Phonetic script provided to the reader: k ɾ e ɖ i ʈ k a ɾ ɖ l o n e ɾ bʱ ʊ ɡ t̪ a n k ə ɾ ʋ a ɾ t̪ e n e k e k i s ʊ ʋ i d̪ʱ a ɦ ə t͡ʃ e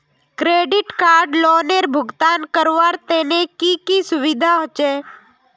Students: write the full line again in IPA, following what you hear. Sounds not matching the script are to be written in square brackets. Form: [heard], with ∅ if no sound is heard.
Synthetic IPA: k ɾ e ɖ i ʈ k a ɾ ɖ l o n e ɾ bʱ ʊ ɡ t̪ a n k ə ɾ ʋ a ɾ t̪ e n e k [i] k i s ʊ ʋ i d̪ʱ a ɦ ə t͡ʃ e